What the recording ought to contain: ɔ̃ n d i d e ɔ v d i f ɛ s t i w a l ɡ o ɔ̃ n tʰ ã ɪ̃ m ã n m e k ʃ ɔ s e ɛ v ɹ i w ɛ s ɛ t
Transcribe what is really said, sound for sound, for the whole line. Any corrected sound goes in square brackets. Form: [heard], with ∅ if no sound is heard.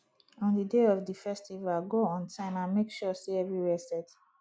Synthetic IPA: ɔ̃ n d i d e ɔ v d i f ɛ s t i [v] a l ɡ o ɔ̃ n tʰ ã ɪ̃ m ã n m e k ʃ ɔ s e ɛ v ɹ i w ɛ s ɛ t